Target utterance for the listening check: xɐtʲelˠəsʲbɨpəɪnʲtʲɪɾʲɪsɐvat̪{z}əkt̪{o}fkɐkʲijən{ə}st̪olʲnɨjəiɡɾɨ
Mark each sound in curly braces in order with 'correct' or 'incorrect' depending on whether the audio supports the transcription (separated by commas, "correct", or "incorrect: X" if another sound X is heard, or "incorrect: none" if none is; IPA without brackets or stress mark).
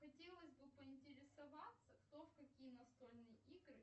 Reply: incorrect: s, correct, incorrect: ɐ